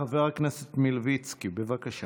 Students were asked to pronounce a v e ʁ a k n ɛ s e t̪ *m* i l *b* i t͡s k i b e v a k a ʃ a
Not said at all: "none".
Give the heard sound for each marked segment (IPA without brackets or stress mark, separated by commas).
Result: m, v